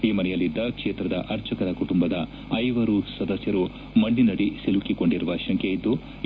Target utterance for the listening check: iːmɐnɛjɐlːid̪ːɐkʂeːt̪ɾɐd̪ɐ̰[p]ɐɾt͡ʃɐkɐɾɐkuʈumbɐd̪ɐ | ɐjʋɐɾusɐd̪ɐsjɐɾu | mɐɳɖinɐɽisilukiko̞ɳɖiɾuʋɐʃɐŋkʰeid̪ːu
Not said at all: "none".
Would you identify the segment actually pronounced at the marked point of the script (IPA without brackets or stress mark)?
ʔ